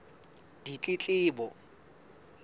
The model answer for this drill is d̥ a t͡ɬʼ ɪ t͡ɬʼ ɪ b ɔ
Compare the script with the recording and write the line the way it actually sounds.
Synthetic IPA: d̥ i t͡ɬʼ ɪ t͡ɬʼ ɪː b ɔ